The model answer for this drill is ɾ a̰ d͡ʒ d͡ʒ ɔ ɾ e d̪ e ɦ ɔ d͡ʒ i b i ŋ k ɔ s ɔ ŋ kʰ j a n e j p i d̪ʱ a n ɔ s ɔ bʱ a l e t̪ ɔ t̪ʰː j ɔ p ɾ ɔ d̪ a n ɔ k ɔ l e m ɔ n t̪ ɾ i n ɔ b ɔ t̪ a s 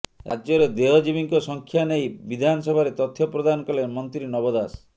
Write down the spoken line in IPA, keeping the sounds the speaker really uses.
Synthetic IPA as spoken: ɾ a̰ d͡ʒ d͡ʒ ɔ ɾ e d̪ e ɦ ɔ d͡ʒ i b i ŋ k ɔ s ɔ ŋ kʰ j a n e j b i d̪ʱ a n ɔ s ɔ bʱ a ɾ e t̪ ɔ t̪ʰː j ɔ p ɾ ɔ d̪ a n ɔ k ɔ l e m ɔ n t̪ ɾ i n ɔ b ɔ d̪ a s